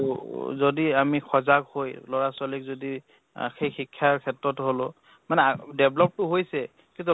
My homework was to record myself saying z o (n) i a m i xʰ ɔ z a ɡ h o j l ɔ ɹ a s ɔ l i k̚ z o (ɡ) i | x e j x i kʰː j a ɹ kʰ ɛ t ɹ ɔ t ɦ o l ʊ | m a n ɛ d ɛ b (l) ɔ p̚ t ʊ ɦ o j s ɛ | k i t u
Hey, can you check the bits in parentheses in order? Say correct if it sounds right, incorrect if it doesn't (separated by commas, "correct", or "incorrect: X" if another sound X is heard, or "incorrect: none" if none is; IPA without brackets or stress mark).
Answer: incorrect: d, incorrect: d, correct